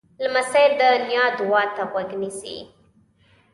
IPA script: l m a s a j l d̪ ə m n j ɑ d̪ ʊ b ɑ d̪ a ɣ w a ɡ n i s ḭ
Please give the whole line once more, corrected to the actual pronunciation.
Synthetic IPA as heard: l m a s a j l d̪ ə n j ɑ d̪ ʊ w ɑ t̪ a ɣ w a ɡ n i s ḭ